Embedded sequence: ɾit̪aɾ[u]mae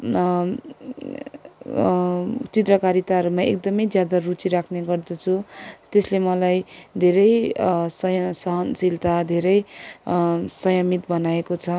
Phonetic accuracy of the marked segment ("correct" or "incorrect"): correct